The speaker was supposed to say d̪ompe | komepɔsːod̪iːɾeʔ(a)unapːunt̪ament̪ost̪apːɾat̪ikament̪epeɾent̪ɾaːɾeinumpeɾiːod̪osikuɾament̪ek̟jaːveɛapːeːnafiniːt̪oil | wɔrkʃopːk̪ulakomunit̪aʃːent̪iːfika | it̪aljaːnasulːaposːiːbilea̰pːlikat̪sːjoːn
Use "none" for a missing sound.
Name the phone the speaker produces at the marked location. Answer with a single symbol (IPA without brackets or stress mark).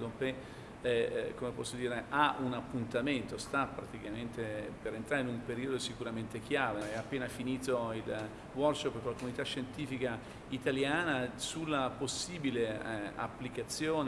a